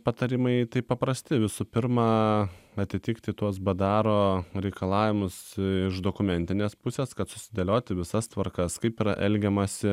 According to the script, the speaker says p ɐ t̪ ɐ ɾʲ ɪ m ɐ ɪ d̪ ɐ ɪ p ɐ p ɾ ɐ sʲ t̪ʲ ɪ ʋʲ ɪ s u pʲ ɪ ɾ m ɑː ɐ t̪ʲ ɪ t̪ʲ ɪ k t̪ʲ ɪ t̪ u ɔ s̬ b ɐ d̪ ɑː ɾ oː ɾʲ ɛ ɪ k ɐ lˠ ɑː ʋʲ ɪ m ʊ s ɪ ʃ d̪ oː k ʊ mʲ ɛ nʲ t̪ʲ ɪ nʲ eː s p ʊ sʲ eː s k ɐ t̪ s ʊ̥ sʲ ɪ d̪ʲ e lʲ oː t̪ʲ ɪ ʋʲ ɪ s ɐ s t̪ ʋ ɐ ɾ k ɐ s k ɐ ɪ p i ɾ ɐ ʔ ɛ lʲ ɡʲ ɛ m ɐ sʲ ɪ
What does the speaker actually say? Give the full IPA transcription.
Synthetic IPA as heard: p ɐ t̪ ɐ ɾʲ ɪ m ɐ ɪ t̪ ɐ ɪ p ɐ p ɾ ɐ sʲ t̪ʲ ɪ ʋʲ ɪ s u pʲ ɪ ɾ m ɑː ɐ t̪ʲ ɪ t̪ʲ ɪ k t̪ʲ ɪ t̪ u ɔ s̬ b ɐ d̪ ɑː ɾ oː ɾʲ ɛ ɪ k ɐ lˠ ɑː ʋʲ ɪ m ʊ s ɪ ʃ d̪ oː k ʊ mʲ ɛ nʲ t̪ʲ ɪ nʲ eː s p ʊ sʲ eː s k ɐ t̪ s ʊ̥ sʲ ɪ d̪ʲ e lʲ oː t̪ʲ ɪ ʋʲ ɪ s ɐ s t̪ ʋ ɐ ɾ k ɐ s k ɐ ɪ p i ɾ ɐ ʔ ɛ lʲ ɡʲ ɛ m ɐ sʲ ɪ